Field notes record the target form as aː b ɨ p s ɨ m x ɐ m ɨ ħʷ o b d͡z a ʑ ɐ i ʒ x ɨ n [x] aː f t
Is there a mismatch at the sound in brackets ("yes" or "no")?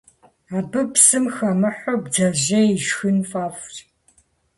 yes